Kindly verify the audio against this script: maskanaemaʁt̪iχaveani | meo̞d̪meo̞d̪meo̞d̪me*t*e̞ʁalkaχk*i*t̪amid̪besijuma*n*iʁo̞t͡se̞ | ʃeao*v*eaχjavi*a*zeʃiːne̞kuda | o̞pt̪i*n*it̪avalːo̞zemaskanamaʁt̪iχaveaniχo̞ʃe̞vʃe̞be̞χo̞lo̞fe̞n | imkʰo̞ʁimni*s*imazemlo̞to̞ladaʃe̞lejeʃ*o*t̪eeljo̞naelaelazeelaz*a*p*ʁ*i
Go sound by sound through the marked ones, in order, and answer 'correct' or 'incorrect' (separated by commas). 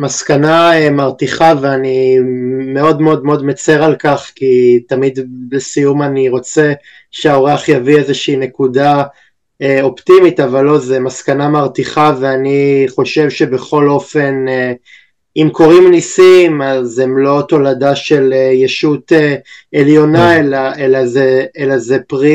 incorrect, correct, correct, incorrect, incorrect, incorrect, correct, incorrect, incorrect, correct